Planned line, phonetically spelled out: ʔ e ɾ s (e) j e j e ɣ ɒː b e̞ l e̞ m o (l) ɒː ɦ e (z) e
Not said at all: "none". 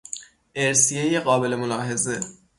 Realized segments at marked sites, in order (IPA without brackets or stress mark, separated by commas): i, l, z